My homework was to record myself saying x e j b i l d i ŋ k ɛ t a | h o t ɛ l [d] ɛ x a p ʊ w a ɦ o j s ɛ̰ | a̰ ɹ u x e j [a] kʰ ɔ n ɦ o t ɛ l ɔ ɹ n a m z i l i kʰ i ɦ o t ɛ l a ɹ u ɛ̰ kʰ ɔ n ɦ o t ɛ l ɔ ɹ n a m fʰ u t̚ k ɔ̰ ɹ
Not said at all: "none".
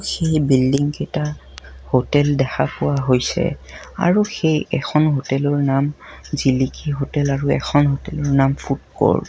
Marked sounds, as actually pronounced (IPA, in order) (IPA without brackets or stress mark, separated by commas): d, ɛ